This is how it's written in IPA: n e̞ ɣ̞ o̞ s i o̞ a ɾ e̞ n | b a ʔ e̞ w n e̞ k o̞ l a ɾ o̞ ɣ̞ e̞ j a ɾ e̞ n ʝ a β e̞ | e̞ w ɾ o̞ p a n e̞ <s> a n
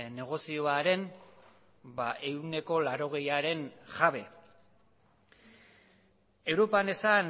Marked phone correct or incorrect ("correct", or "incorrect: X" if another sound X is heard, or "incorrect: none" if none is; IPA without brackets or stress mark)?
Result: correct